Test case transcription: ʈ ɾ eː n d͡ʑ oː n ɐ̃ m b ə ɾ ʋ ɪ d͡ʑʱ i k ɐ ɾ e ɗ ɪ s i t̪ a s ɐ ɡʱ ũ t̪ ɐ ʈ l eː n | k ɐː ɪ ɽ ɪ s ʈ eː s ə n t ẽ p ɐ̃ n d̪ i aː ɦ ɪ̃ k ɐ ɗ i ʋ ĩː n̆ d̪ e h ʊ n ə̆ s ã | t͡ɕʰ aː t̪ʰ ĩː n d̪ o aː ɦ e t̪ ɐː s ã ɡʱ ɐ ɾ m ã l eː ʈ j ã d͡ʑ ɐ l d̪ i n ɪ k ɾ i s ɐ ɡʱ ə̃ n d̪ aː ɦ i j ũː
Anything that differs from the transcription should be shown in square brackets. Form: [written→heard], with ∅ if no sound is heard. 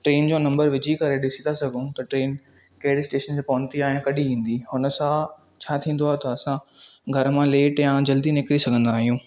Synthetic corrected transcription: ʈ ɾ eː n d͡ʑ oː n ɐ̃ m b ə ɾ ʋ ɪ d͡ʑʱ i k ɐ ɾ e ɗ ɪ s i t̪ a s ɐ ɡʱ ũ t̪ ɐ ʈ [l→ɾ] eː n | k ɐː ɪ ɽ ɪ s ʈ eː [s→ʃ] ə n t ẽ p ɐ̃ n [d̪→t̪] i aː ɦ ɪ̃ k ɐ ɗ i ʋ ĩː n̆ d̪ [e→i] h ʊ n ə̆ s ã | t͡ɕʰ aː t̪ʰ ĩː n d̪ o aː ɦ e t̪ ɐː s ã ɡʱ ɐ ɾ m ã l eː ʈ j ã d͡ʑ ɐ l d̪ i n ɪ k ɾ i s ɐ ɡʱ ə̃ n d̪ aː ɦ i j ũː